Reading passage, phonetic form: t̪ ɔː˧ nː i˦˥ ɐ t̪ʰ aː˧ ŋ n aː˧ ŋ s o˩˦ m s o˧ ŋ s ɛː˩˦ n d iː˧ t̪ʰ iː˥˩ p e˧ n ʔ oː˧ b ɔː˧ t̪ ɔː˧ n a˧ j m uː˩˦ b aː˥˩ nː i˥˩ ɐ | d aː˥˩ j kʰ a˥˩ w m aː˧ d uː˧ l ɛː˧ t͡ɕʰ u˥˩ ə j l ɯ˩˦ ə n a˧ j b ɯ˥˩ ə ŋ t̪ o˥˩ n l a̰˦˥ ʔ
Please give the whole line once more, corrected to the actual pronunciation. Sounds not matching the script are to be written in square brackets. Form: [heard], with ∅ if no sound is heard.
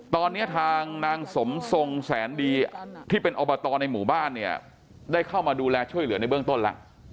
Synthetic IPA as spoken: t̪ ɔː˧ nː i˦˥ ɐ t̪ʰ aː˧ ŋ n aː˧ ŋ s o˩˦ m s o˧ ŋ s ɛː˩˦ n d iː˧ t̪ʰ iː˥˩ p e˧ n ʔ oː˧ b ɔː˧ t̪ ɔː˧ n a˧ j m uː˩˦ b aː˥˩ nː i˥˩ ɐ | d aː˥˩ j kʰ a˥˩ w m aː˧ d uː˧ l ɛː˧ t͡ɕʰ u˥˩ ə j l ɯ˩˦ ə n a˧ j b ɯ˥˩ ə ŋ t̪ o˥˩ n l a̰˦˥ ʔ